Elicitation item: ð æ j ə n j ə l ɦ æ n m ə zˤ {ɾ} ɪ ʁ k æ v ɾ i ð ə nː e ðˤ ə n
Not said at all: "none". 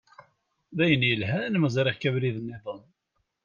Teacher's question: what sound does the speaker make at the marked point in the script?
ɾ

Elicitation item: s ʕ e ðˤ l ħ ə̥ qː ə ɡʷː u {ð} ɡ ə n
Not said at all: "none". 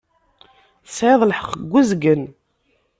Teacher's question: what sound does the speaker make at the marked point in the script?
z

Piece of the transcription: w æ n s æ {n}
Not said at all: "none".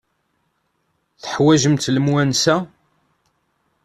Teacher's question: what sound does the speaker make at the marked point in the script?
none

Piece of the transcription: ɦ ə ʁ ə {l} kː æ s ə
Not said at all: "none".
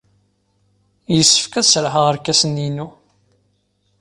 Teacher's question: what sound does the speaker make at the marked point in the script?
ɾ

